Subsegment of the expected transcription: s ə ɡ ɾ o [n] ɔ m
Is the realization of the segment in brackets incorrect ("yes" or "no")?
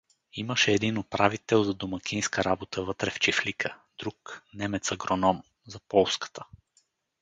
no